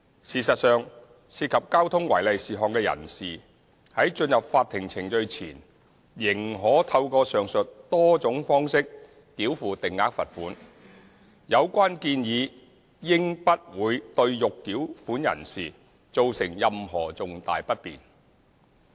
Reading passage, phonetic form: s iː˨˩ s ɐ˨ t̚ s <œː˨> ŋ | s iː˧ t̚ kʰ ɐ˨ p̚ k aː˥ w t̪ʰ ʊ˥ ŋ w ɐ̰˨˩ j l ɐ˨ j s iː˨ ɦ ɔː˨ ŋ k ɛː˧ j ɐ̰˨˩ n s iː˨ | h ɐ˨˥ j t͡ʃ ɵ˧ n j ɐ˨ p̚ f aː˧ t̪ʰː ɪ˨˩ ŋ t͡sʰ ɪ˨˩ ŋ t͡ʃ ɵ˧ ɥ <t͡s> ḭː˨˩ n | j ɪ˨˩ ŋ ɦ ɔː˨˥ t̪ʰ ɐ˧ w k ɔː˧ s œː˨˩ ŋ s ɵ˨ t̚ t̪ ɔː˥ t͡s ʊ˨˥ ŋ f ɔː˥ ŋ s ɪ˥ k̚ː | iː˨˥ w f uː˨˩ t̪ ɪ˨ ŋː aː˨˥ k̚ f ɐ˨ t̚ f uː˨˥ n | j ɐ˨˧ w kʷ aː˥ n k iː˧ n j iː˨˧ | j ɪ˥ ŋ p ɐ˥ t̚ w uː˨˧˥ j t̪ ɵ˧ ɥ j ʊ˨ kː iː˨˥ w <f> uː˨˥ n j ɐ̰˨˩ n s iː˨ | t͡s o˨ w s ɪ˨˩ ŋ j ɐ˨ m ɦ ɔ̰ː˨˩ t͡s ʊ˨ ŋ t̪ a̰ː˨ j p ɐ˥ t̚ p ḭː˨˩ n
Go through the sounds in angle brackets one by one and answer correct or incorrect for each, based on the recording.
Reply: correct, incorrect, correct

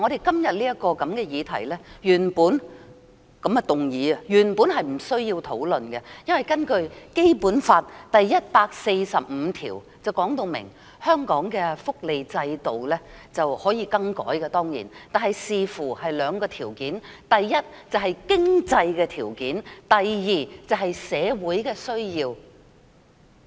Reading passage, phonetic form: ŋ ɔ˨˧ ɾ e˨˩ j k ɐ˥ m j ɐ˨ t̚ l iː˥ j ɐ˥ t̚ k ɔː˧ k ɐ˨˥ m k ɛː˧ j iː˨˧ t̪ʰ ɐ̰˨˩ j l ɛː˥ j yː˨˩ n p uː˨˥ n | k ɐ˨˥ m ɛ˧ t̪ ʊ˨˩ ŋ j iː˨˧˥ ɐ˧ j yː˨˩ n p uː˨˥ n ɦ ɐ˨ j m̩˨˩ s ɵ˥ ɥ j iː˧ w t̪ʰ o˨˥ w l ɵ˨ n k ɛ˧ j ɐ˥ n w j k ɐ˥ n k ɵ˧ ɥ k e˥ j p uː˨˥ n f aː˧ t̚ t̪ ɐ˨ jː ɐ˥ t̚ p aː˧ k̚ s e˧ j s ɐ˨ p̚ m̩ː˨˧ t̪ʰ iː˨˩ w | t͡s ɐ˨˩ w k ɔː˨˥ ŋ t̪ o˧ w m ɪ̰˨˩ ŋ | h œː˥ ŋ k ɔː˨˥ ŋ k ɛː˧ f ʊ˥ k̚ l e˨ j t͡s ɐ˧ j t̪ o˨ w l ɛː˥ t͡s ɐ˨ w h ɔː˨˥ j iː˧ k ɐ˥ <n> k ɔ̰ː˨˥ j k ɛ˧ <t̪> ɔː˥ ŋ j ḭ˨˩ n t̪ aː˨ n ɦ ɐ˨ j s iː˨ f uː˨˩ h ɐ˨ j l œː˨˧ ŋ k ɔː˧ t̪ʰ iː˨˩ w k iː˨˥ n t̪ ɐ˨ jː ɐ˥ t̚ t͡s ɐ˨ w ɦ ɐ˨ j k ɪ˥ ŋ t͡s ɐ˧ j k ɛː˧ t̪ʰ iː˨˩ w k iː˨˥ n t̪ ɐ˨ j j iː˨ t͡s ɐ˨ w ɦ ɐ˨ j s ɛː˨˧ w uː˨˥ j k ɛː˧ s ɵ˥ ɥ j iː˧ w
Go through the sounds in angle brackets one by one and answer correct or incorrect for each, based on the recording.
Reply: incorrect, correct

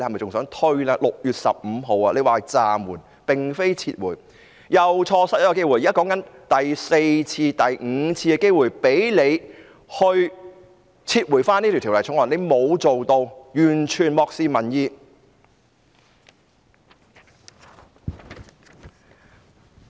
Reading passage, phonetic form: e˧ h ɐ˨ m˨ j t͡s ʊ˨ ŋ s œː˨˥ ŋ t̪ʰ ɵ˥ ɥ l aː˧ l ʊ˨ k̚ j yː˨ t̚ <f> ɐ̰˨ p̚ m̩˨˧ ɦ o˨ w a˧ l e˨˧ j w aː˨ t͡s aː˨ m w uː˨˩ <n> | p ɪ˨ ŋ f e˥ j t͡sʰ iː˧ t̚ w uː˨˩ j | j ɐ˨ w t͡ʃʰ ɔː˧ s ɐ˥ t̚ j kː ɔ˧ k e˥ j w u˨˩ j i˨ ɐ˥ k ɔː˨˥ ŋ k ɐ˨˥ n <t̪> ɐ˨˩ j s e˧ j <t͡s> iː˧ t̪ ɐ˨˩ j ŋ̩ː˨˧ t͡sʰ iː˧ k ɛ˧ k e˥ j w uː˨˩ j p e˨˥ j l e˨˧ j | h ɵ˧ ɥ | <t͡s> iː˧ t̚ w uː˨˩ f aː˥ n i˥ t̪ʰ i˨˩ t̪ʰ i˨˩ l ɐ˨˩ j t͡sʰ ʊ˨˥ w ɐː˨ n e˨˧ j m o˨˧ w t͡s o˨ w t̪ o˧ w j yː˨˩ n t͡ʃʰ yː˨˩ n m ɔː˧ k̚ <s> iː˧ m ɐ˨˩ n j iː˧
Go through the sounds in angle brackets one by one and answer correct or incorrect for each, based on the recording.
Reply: incorrect, correct, correct, incorrect, incorrect, correct

